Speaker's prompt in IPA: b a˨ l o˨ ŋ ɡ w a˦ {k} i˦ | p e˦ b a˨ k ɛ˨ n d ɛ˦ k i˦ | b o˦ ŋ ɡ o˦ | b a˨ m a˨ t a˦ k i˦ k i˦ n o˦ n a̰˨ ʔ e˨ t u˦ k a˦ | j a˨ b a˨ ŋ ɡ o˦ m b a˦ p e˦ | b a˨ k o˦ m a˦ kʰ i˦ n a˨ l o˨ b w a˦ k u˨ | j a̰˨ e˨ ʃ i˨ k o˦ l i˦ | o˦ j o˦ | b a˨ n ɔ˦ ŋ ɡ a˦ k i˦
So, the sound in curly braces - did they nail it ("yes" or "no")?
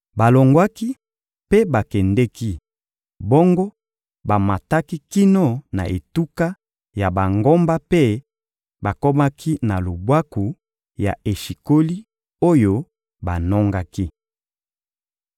yes